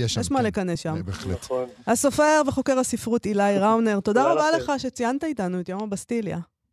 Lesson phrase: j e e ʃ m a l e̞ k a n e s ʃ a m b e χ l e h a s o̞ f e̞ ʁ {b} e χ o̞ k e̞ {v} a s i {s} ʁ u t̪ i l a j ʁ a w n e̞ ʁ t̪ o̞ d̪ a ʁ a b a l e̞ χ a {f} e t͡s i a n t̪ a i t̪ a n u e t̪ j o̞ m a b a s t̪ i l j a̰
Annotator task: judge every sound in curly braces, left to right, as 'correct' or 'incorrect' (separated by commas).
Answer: incorrect, incorrect, incorrect, incorrect